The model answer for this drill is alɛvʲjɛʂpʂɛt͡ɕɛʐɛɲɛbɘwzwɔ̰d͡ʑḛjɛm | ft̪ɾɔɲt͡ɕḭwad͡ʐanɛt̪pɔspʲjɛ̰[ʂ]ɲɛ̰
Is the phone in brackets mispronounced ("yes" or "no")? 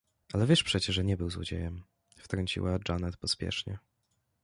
no